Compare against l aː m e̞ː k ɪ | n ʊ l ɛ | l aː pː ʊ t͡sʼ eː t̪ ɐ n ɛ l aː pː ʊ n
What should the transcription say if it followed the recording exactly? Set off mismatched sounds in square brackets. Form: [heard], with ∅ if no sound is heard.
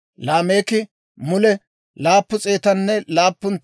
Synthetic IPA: l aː m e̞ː k ɪ | [m] ʊ l ɛ | l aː pː ʊ t͡sʼ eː t̪ ɐ [nː] ɛ l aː pː ʊ n